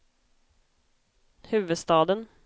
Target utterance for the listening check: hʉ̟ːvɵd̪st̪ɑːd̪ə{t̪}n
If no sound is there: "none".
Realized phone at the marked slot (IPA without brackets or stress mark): none